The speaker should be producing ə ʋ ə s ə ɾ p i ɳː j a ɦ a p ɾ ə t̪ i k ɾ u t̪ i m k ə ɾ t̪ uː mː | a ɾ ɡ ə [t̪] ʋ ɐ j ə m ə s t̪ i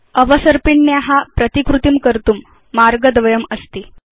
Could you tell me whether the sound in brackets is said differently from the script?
yes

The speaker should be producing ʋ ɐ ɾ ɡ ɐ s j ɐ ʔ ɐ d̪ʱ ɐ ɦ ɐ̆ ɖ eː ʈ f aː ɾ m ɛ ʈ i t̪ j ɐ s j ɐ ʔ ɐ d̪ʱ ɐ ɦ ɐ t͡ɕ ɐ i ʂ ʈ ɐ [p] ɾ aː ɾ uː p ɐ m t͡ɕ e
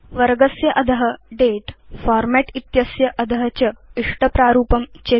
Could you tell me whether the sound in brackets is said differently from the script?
no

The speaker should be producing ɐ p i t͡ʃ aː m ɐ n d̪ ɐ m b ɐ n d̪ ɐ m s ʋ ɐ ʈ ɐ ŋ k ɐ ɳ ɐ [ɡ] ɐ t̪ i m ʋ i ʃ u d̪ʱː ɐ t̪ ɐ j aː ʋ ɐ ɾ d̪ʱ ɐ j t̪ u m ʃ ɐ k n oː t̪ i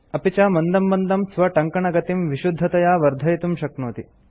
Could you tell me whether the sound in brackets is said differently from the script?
no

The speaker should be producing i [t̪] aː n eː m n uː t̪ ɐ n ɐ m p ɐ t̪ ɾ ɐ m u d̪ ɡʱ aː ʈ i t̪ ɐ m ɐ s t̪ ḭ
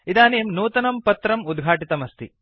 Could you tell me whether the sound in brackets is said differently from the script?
yes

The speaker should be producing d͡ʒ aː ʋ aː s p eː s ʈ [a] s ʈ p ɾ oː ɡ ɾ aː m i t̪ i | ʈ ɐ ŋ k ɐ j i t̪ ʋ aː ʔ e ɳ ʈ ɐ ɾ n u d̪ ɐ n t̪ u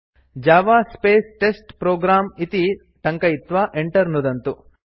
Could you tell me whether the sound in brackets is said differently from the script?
yes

